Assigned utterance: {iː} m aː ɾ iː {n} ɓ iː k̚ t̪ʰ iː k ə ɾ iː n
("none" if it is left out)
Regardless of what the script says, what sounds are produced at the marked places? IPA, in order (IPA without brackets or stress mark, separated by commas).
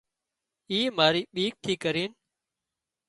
iː, none